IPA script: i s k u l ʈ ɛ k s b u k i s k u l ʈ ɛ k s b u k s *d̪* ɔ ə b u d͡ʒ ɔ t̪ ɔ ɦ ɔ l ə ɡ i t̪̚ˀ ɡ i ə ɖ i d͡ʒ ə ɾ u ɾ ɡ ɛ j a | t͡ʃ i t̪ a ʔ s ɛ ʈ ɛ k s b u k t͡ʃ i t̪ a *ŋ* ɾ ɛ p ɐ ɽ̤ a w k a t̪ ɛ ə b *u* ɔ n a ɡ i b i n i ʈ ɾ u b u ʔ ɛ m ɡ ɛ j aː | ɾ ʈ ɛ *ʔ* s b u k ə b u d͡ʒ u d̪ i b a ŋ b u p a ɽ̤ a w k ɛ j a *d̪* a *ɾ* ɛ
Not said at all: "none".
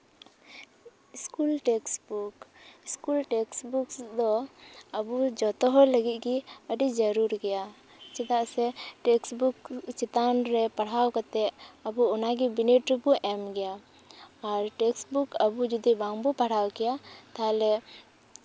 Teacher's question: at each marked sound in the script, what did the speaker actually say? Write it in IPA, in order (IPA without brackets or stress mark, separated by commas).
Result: d̪, n, u, k, t̪, l